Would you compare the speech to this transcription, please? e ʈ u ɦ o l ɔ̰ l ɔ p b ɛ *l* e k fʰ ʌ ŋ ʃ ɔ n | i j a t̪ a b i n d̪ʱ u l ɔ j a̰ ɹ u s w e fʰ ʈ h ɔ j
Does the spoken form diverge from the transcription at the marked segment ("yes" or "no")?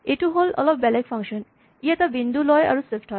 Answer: no